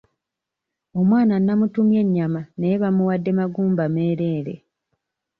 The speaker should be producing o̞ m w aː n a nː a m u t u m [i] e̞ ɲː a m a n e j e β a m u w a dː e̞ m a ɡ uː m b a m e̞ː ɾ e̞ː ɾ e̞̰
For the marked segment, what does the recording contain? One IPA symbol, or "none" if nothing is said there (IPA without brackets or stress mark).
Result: j